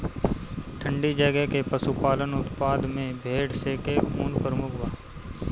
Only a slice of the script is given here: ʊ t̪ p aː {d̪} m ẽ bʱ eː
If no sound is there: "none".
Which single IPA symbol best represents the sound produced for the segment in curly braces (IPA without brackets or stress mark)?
d̪